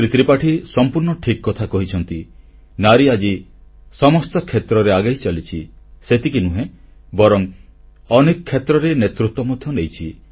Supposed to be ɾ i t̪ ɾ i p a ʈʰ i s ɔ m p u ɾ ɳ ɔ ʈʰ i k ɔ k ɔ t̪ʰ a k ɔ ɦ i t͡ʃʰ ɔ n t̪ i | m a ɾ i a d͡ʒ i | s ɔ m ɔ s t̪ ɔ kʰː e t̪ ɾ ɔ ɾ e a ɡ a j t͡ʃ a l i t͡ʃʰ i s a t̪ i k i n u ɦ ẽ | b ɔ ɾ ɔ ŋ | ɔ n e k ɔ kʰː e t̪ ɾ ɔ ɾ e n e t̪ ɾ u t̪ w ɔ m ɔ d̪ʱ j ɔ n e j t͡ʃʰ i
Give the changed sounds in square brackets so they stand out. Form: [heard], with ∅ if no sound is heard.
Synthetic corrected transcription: ɾ i t̪ ɾ i p a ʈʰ i s ɔ m p u ɾ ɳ ɔ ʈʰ i k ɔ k ɔ t̪ʰ a k ɔ ɦ i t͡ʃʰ ɔ n t̪ i | [n] a ɾ i a d͡ʒ i | s ɔ m ɔ s t̪ ɔ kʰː e t̪ ɾ ɔ ɾ e a ɡ a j t͡ʃ a l i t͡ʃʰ i s [e] t̪ i k i n u ɦ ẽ | b ɔ ɾ ɔ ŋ | ɔ n e k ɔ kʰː e t̪ ɾ ɔ ɾ e n e t̪ ɾ u t̪ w ɔ m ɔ d̪ʱ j ɔ n e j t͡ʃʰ i

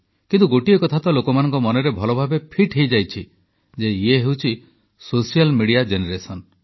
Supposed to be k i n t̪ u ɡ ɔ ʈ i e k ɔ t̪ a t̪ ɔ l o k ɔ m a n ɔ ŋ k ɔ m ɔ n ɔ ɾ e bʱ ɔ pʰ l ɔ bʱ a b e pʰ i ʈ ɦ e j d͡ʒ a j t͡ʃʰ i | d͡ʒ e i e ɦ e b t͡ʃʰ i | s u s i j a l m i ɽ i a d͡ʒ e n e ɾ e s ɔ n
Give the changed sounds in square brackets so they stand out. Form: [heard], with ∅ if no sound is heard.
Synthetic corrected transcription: k i n t̪ u ɡ [o] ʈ i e k ɔ [t̪ʰ] a t̪ ɔ l o k ɔ m a n ɔ ŋ k ɔ m ɔ n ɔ ɾ e bʱ ɔ [∅] l ɔ bʱ a b e pʰ i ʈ ɦ e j d͡ʒ a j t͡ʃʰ i | d͡ʒ e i e ɦ e [w] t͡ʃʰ i | s [o] s i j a l m i ɽ i a d͡ʒ e n e ɾ e s ɔ n

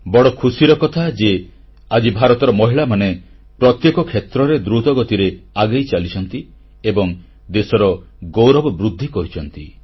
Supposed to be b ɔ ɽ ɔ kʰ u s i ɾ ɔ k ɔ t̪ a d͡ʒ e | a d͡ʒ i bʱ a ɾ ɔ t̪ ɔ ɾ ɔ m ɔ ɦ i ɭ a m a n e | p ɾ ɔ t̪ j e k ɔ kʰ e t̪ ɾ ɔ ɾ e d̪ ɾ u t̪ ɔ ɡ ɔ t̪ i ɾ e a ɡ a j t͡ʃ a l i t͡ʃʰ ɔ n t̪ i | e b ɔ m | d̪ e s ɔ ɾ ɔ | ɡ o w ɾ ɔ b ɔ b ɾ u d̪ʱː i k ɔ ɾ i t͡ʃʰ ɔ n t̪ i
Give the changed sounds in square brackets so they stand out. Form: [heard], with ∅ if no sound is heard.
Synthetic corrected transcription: b ɔ ɽ ɔ kʰ u s i ɾ ɔ k ɔ [t̪ʰ] a d͡ʒ e | a d͡ʒ i bʱ a ɾ ɔ t̪ ɔ ɾ ɔ m ɔ ɦ i ɭ a m a n e | p ɾ ɔ t̪ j e k ɔ kʰ e t̪ ɾ ɔ ɾ e d̪ ɾ u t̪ ɔ ɡ ɔ t̪ i ɾ e a ɡ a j t͡ʃ a l i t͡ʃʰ ɔ n t̪ i | e b ɔ [ŋ] | d̪ e s ɔ ɾ ɔ | ɡ o w ɾ ɔ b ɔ b ɾ u d̪ʱː i k ɔ ɾ i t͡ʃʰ ɔ n t̪ i

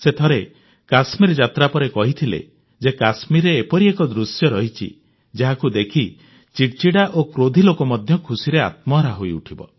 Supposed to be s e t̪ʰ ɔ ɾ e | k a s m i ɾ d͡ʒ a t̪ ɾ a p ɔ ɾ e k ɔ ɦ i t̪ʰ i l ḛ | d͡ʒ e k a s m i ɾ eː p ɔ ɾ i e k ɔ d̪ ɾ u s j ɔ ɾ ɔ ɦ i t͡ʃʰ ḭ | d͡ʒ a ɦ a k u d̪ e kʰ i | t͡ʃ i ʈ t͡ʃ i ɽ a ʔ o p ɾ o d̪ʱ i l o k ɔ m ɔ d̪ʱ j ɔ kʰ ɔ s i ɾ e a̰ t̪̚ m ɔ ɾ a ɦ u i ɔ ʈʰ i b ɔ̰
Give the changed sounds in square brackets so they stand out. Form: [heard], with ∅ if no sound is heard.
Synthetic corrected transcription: s e t̪ʰ ɔ ɾ e | k a s m i ɾ d͡ʒ a t̪ ɾ a p ɔ ɾ e k ɔ ɦ i t̪ʰ i l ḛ | d͡ʒ e k a s m i ɾ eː p ɔ ɾ i e k ɔ d̪ ɾ u s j ɔ ɾ ɔ ɦ i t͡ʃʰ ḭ | d͡ʒ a ɦ a k u d̪ e kʰ i | t͡ʃ i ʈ t͡ʃ i ɽ a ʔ o [k] ɾ o d̪ʱ i l o k ɔ m ɔ d̪ʱ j ɔ kʰ [u] s i ɾ e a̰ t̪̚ m ɔ ɾ a ɦ [o] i [u] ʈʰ i b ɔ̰

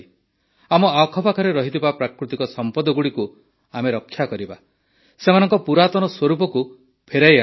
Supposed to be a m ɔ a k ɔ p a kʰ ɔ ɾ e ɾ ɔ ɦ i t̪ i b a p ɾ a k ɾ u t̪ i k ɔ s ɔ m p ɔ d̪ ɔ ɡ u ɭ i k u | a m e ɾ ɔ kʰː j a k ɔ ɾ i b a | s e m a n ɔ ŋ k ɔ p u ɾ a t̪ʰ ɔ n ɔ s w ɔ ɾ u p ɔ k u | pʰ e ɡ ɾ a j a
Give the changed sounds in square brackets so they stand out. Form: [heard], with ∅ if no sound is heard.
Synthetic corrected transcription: a m ɔ a [kʰ] ɔ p a kʰ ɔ ɾ e ɾ ɔ ɦ i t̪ i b a p ɾ a k ɾ u t̪ i k ɔ s ɔ m p ɔ d̪ ɔ ɡ u [ɽ] i k u | a m e ɾ ɔ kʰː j a k ɔ ɾ i b a | s e m a n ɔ ŋ k ɔ p u ɾ a [t̪] ɔ n ɔ s w ɔ ɾ u p ɔ k u | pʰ e [∅] ɾ a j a

